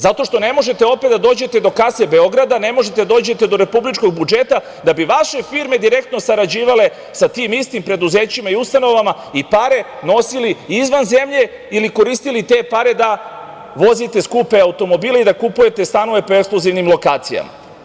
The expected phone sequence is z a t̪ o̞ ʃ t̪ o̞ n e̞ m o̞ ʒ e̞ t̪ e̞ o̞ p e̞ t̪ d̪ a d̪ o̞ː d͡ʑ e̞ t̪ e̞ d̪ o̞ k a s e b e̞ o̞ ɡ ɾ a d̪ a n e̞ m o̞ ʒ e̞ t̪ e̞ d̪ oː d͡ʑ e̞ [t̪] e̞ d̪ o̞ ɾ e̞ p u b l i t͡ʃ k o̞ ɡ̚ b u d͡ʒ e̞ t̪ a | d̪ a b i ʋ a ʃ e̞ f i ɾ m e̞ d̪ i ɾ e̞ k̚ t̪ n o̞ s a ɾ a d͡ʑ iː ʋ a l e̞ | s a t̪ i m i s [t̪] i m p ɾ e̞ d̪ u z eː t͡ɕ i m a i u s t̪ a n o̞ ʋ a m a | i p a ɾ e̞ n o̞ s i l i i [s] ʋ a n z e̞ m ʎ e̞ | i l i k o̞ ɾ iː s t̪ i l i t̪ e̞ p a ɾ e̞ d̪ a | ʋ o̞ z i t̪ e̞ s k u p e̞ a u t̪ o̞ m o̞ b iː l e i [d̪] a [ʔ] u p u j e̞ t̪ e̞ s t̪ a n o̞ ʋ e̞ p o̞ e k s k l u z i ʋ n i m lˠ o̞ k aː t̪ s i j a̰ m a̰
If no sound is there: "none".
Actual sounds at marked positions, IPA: t̪, t̪, z, d̪, k

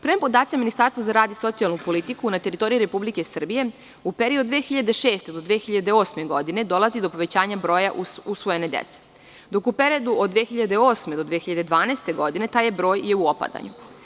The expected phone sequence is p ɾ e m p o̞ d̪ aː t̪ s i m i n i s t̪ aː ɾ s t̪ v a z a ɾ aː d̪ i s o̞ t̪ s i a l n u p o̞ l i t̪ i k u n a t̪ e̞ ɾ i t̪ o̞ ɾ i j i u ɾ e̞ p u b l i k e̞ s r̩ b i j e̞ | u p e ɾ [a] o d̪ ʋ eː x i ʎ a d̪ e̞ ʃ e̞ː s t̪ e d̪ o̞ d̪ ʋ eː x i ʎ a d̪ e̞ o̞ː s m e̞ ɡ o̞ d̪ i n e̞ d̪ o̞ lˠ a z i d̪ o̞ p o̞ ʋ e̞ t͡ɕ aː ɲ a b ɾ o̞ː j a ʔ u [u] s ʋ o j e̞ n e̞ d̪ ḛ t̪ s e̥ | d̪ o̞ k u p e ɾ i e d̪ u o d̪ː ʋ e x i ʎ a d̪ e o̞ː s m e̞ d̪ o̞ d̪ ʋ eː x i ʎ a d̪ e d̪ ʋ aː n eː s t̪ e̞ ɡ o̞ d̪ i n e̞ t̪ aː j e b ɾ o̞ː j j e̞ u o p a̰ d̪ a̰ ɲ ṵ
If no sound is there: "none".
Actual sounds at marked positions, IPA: i, u

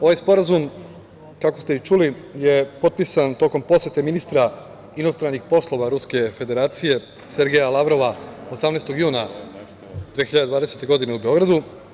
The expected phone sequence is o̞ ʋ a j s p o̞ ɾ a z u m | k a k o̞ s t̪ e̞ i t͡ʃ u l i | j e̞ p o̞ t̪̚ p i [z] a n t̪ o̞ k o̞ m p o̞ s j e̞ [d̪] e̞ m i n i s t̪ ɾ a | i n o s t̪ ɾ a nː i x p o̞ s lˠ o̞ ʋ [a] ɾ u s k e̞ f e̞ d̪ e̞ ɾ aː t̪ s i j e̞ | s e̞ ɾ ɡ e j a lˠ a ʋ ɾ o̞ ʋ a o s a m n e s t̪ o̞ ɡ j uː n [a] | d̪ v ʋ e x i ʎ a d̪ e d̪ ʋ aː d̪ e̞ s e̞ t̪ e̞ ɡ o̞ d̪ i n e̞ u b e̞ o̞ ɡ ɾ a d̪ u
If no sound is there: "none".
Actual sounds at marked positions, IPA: s, t̪, a, a

